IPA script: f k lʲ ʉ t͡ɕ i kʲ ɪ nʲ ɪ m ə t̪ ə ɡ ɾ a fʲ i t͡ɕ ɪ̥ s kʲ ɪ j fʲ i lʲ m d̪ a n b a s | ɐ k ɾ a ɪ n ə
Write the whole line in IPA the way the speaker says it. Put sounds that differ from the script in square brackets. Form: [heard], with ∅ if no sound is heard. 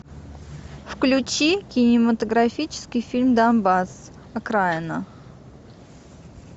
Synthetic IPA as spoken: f k lʲ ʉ t͡ɕ i kʲ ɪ nʲ ɪ m ə t̪ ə ɡ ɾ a fʲ i t͡ɕ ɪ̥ s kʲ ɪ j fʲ i lʲ m d̪ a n b a s | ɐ k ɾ a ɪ n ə